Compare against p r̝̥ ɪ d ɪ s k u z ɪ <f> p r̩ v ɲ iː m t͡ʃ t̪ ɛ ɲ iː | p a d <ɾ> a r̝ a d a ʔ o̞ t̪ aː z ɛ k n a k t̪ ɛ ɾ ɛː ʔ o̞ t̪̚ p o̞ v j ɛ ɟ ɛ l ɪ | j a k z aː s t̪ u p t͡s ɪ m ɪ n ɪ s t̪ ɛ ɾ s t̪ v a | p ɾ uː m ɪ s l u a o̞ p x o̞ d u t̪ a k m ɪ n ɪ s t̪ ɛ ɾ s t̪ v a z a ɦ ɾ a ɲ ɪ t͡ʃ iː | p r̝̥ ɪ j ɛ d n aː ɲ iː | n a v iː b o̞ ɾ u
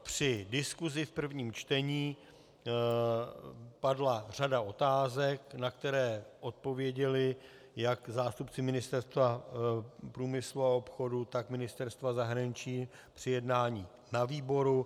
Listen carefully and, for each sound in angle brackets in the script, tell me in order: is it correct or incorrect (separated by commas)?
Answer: correct, incorrect